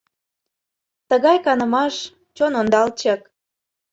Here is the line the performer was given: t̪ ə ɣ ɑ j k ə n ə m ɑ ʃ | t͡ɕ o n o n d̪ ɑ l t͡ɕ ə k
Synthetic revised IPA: t̪ ə ɣ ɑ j k ɑ n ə m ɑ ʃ | t͡ɕ o n o n d̪ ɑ l t͡ɕ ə k